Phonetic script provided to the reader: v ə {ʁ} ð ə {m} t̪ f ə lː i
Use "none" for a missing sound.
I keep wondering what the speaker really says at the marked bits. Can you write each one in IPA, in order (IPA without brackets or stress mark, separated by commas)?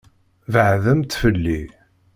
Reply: ʕ, m